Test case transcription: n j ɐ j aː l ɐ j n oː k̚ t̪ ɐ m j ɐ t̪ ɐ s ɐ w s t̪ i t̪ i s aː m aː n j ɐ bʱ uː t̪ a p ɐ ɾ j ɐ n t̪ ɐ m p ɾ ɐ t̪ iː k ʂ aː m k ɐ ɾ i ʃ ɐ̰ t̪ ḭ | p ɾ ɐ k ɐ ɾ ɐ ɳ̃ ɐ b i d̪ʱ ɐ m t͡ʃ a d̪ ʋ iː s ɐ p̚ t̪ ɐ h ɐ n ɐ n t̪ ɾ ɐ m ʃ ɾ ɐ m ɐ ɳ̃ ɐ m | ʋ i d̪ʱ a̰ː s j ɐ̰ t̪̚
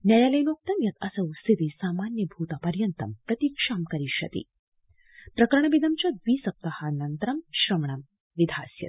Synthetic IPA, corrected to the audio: n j ɐ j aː l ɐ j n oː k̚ t̪ ɐ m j ɐ t̪ ɐ s ɐ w s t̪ i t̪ i s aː m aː n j ɐ bʱ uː t̪ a p ɐ ɾ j ɐ n t̪ ɐ m p ɾ ɐ t̪ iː k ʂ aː m k ɐ ɾ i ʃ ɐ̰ t̪ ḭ | p ɾ ɐ k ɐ ɾ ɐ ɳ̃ ɐ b i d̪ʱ ɐ m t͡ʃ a d̪ ʋ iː s ɐ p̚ t̪ ɐ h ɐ n ɐ n t̪ ɾ ɐ m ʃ ɾ ɐ m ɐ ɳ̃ ɐ m | ʋ i d̪ʱ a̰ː s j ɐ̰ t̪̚